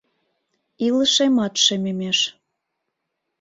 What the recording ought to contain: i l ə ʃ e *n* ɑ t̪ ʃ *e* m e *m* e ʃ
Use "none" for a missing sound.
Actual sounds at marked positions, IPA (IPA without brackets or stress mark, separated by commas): m, e, m